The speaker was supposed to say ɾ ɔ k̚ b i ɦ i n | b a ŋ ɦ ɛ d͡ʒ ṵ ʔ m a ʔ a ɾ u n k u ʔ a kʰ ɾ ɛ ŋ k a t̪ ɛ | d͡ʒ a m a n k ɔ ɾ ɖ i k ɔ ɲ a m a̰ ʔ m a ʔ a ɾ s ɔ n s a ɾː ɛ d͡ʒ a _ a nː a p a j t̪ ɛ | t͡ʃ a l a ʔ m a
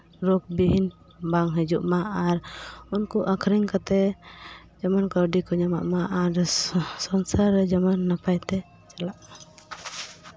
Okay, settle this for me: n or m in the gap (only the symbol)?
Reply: m